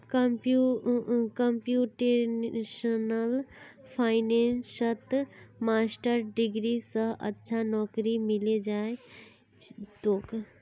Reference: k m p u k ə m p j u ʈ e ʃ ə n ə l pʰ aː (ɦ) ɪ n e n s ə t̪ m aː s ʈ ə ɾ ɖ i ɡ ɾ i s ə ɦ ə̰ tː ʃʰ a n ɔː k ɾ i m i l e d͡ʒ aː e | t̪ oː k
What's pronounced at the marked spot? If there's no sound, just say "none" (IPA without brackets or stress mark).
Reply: none